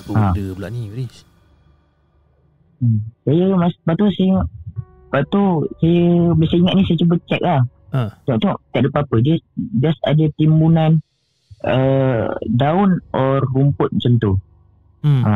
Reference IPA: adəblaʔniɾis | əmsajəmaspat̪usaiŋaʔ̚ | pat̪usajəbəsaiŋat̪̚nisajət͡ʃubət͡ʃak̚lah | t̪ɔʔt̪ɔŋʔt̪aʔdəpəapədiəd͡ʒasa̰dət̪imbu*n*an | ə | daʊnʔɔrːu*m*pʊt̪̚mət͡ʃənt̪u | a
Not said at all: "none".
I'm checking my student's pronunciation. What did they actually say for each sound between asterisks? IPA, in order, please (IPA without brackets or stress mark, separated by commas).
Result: n, m